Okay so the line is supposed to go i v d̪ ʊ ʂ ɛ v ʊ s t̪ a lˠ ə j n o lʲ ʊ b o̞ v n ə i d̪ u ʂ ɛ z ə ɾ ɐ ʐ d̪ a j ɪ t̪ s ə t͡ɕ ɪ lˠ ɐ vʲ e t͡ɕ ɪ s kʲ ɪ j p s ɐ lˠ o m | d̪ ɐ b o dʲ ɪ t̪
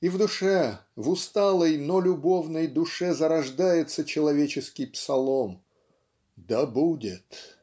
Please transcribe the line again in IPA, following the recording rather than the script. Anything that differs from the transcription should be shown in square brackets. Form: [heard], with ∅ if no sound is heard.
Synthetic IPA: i v d̪ ʊ ʂ ɛ v ʊ s t̪ a lˠ ə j n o lʲ ʊ b o̞ v n ə [j] d̪ [ʊ] ʂ ɛ z ə ɾ ɐ ʐ d̪ a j ɪ t̪ s ə t͡ɕ ɪ lˠ ɐ vʲ e t͡ɕ ɪ s kʲ ɪ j p s ɐ lˠ o m | d̪ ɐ b [u] dʲ ɪ t̪